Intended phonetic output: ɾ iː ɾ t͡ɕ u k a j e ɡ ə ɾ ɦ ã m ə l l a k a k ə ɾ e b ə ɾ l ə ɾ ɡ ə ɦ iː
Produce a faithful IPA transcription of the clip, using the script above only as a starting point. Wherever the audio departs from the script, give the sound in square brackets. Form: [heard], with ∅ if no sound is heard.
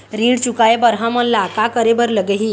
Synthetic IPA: ɾ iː [ɽ] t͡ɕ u k a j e [b] ə ɾ ɦ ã m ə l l a k a k ə ɾ e b ə ɾ l ə [∅] ɡ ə ɦ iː